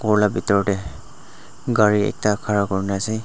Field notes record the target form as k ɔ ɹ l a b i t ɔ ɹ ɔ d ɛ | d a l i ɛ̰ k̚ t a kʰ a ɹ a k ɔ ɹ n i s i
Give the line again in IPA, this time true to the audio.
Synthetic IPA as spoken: k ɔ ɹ l a b i t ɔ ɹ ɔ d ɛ | ɡ a ɹ i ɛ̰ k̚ t a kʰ a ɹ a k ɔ ɹ n a s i